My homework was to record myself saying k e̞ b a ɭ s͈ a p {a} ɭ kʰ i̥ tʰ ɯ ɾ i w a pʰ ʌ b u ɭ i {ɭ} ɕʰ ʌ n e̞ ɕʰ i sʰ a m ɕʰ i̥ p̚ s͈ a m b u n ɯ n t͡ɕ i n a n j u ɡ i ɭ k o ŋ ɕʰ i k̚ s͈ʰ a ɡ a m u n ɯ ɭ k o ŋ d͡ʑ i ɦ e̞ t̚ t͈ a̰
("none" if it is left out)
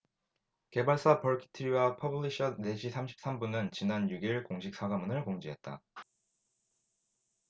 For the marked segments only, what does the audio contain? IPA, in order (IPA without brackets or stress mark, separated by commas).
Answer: ʌ, none